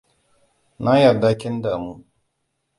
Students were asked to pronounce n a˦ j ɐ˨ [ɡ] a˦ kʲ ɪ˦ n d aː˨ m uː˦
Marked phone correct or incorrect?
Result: incorrect